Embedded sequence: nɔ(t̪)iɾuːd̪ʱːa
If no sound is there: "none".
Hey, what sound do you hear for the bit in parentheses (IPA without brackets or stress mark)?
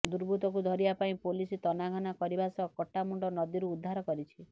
d̪